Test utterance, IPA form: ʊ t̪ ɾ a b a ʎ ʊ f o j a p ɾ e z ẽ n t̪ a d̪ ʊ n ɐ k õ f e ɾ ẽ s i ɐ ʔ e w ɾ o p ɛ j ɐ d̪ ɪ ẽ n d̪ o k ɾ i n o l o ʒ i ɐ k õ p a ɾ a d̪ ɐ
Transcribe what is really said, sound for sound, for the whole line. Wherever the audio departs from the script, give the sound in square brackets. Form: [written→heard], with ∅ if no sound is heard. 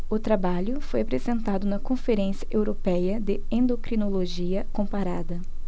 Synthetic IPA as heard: ʊ t̪ ɾ a b a ʎ ʊ f o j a p ɾ e z ẽ n t̪ a d̪ ʊ n ɐ k õ f e ɾ ẽ s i ɐ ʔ e w ɾ o p ɛ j ɐ d̪ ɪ ẽ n d̪ o k ɾ i n o l o ʒ i ɐ k õ p a ɾ a d̪ ɐ